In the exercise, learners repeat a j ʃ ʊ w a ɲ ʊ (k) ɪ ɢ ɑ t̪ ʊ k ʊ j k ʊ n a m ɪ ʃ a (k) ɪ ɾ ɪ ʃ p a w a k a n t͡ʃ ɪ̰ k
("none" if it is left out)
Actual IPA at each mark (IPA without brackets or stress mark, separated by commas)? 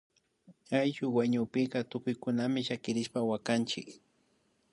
p, k